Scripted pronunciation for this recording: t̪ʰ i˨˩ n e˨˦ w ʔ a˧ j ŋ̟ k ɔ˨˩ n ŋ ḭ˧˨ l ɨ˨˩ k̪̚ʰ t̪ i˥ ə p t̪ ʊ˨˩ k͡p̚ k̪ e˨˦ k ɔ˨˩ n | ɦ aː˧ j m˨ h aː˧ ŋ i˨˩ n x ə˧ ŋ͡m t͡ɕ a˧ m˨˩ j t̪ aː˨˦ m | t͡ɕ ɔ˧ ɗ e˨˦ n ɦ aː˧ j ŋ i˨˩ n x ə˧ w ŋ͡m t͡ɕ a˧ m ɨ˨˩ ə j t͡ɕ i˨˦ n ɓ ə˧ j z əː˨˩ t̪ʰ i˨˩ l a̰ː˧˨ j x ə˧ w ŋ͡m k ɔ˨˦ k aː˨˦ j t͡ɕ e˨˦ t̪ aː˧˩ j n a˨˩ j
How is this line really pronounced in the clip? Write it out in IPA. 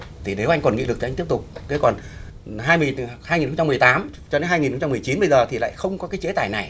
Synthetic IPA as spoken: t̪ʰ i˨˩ n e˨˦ w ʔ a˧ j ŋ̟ k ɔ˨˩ n ŋ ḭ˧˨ l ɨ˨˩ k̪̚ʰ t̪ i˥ ə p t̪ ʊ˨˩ k͡p̚ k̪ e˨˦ k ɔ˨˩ n | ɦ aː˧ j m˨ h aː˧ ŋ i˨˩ n x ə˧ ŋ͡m t͡ɕ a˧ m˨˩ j t̪ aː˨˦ m | t͡ɕ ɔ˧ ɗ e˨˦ n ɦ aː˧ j ŋ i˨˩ n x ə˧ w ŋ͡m t͡ɕ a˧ m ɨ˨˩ ə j t͡ɕ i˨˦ n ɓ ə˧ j z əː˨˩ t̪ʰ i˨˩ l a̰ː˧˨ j x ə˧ w ŋ͡m k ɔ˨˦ k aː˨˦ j t͡ɕ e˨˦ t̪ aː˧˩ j n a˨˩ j